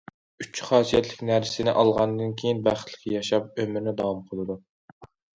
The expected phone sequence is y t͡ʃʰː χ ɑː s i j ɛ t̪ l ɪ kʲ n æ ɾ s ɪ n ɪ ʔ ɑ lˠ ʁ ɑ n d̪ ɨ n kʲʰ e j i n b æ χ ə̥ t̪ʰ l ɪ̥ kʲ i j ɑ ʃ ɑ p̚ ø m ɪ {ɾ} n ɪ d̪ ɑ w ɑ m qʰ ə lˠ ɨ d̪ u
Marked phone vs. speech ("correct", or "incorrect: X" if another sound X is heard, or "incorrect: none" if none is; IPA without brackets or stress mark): correct